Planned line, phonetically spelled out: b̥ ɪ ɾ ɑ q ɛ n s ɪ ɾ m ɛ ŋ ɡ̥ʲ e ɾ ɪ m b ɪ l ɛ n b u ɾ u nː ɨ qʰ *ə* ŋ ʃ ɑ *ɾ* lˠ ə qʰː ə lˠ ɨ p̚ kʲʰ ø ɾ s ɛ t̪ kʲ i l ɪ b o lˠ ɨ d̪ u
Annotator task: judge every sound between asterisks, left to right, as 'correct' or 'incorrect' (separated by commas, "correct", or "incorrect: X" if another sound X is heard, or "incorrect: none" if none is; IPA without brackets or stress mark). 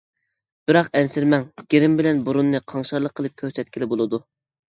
incorrect: ɑ, correct